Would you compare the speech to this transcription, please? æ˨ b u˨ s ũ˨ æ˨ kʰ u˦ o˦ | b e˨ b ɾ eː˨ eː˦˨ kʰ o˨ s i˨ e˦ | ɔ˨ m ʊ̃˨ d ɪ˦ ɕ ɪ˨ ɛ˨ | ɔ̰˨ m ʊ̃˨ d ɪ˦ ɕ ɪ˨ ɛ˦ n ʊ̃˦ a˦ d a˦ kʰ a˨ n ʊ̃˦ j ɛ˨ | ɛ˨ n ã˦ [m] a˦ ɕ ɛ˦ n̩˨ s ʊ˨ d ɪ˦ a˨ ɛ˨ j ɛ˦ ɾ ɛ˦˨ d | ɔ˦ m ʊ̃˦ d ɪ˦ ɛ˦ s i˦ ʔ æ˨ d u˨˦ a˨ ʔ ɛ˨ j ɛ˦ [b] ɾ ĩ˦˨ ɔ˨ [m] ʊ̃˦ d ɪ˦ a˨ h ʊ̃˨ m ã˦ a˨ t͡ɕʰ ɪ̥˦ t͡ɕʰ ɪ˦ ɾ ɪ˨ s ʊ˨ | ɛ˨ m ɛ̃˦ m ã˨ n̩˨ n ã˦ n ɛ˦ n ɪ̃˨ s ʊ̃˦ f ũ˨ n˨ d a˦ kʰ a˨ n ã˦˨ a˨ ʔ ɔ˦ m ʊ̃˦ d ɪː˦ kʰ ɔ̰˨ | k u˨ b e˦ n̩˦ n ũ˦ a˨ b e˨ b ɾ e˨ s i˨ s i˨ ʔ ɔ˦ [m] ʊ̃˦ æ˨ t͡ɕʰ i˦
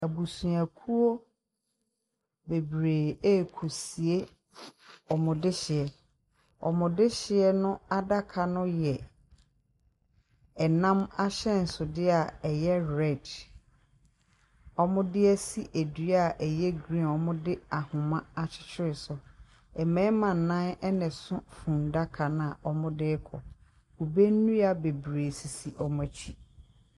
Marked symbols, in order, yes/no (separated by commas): yes, no, yes, yes